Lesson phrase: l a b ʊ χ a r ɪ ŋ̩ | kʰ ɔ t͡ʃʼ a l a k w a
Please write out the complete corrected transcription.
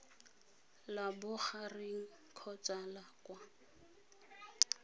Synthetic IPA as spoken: l a b ʊ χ a r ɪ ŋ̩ | kʰ ɔ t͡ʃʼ a l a k w a